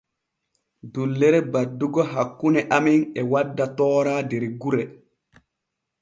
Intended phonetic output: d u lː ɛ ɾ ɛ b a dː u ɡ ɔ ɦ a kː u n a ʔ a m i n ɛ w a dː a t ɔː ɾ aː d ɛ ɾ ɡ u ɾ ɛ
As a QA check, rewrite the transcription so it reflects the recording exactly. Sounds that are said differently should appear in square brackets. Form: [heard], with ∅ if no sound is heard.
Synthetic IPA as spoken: d u lː ɛ ɾ ɛ b a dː u ɡ ɔ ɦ a kː u n [ɛ] ʔ a m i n ɛ w a dː a t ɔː ɾ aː d ɛ ɾ ɡ u ɾ ɛ